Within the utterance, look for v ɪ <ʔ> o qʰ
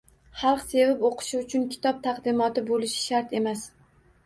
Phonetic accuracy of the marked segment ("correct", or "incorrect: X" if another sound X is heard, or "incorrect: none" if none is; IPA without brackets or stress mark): incorrect: p